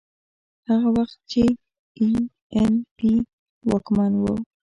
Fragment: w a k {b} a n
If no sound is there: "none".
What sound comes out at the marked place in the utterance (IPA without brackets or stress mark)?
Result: m